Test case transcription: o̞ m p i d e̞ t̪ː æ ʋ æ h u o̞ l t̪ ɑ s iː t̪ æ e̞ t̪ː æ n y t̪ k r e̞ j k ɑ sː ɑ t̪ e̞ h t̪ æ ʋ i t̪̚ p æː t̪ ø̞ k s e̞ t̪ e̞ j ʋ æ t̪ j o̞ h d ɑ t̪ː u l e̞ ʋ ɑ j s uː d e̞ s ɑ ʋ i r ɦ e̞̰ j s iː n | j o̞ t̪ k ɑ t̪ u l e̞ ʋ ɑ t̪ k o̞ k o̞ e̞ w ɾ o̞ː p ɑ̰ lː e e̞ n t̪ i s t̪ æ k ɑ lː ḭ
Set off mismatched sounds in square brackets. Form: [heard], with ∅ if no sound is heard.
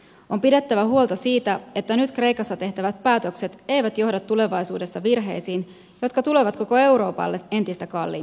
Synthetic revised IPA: o̞ m p i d e̞ t̪ː æ ʋ æ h u o̞ l t̪ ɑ s iː t̪ æ e̞ t̪ː æ n y t̪ k r e̞ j k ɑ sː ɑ t̪ e̞ h t̪ æ ʋ [æ] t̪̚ p æː t̪ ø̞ k s e̞ t̪ e̞ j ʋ æ t̪ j o̞ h d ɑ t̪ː u l e̞ ʋ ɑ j s uː d e̞ [sː] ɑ ʋ i r ɦ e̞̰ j s iː n | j o̞ t̪ k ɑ t̪ u l e̞ ʋ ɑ t̪ k o̞ k o̞ e̞ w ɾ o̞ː p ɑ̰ lː e e̞ n t̪ i s t̪ æ k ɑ lː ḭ